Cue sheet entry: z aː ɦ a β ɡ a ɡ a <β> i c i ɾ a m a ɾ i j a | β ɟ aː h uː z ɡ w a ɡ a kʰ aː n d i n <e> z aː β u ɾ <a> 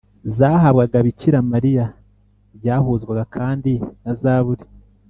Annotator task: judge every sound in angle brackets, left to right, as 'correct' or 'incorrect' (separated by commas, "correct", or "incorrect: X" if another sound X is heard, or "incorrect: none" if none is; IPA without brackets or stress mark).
correct, incorrect: a, incorrect: i